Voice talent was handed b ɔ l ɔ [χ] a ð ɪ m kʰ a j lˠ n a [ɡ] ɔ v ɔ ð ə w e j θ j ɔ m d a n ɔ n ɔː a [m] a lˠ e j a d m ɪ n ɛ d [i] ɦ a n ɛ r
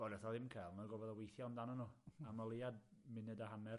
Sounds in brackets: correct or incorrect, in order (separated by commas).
incorrect, correct, correct, incorrect